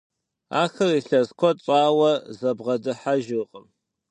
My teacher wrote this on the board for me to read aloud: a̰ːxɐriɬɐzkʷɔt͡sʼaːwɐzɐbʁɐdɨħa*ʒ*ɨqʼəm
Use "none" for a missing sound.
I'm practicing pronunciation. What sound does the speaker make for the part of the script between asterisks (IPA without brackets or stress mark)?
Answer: ʒ